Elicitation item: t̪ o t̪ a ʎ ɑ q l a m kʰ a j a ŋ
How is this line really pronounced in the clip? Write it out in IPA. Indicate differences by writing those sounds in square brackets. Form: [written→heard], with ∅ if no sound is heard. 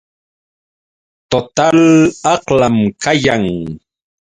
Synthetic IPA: t̪ o t̪ a [ʎ→l] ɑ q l a m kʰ a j a ŋ